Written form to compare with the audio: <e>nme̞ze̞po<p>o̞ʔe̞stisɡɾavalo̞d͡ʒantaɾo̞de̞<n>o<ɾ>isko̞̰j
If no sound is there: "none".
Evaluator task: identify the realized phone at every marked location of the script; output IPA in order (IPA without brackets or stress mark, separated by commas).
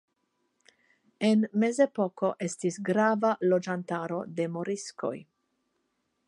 e, k, m, ɾ